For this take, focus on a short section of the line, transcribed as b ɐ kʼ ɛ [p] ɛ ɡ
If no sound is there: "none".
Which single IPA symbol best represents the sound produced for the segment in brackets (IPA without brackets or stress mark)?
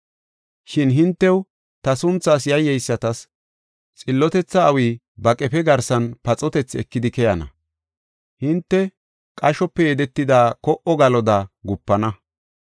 p